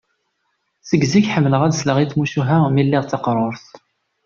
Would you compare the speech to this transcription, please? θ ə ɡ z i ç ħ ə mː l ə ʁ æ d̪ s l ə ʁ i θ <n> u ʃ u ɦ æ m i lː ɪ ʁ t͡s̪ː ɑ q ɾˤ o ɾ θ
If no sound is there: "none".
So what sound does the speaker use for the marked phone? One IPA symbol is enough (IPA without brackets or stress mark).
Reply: m